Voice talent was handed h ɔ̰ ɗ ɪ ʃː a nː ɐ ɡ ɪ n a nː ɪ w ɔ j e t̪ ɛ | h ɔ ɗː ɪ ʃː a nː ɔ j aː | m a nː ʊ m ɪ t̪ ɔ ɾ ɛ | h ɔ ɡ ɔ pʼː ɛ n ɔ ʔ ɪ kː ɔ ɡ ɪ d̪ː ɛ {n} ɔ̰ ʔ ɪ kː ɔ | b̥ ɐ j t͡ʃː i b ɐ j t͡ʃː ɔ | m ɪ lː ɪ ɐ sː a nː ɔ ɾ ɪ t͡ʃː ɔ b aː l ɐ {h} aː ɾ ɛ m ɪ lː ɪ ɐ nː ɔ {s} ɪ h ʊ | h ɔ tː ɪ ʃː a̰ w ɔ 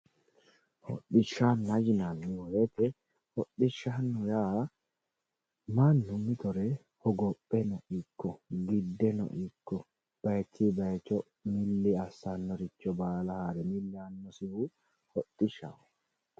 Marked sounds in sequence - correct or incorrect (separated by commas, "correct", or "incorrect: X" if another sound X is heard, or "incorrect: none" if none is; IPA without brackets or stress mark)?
correct, correct, correct